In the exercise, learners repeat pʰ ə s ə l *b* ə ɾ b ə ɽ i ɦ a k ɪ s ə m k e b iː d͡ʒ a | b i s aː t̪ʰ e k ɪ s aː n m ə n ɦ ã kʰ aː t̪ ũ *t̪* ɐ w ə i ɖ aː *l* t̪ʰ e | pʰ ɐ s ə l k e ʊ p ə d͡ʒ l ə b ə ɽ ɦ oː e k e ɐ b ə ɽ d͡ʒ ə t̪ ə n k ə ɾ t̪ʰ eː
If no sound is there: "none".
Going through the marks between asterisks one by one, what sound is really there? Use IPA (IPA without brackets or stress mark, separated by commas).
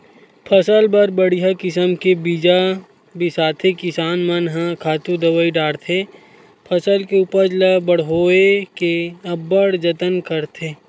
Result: b, d̪, ɽ